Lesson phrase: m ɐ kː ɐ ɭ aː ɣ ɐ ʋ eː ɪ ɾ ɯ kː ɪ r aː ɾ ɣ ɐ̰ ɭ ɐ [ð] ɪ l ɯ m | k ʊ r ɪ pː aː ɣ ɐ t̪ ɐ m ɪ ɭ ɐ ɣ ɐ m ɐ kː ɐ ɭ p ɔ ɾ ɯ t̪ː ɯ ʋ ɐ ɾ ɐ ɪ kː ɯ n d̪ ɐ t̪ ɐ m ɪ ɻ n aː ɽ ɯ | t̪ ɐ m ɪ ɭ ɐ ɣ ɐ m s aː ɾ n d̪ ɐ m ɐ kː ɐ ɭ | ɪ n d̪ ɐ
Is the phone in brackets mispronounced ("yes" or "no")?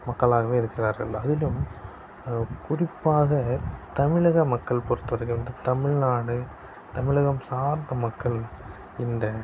no